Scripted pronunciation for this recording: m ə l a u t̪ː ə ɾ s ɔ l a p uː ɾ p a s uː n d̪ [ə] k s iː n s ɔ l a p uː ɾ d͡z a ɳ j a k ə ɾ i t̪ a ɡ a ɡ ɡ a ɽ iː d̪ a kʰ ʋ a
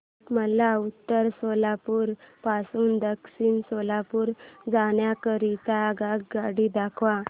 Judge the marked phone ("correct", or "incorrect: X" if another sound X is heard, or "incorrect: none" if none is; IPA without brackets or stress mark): correct